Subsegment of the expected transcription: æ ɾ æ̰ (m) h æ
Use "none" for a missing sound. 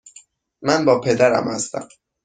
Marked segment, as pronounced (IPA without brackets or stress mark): m